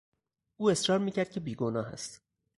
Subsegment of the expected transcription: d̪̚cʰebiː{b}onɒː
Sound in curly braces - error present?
yes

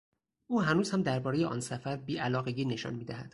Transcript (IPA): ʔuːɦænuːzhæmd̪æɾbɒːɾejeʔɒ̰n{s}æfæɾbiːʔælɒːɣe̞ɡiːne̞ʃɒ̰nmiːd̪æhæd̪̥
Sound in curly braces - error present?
no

